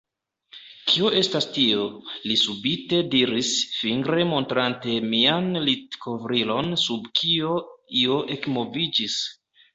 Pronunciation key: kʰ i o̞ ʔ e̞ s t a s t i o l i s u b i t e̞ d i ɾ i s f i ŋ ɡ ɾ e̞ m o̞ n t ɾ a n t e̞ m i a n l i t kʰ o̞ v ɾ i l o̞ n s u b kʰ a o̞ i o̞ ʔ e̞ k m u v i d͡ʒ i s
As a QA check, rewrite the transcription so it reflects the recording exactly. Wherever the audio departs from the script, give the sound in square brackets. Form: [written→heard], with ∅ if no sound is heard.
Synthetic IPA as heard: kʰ i o̞ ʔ e̞ s t a s t i o l i s u b i t e̞ d i ɾ i s f i ŋ ɡ ɾ e̞ m o̞ n t ɾ a n t e̞ m i a n l i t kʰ o̞ v ɾ i l o̞ n s u b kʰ [a→i] o̞ i o̞ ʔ e̞ k m [u→o] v i d͡ʒ i s